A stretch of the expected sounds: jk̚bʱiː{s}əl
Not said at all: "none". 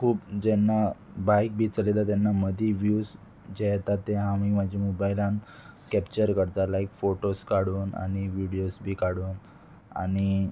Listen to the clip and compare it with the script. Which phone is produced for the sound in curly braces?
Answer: t͡s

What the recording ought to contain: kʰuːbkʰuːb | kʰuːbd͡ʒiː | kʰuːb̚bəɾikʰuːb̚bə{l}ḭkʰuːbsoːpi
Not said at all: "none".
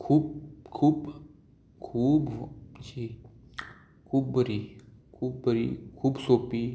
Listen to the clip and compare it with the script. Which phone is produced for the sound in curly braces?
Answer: ɾ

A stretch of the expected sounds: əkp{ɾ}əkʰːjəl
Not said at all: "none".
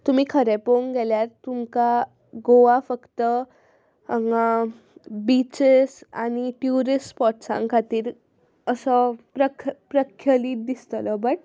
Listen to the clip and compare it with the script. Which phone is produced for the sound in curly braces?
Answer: ɾ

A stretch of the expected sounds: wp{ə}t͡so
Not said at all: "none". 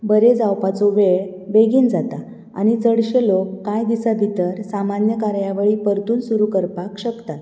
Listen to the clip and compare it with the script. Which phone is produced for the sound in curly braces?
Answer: a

